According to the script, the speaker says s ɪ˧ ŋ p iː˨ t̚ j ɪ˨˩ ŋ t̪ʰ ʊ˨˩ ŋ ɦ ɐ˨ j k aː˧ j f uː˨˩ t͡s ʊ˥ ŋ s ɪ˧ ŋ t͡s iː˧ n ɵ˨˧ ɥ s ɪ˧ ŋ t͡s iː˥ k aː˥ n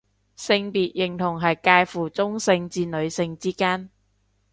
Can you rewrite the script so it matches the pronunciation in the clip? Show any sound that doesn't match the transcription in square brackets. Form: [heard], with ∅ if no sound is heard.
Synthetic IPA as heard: s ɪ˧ ŋ p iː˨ t̚ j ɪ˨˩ ŋ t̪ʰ ʊ˨˩ ŋ ɦ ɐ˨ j k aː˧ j f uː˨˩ t͡s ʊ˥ ŋ s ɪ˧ ŋ t͡s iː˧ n ɵ˨˧ ɥ s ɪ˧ ŋ t͡s iː˥ k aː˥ n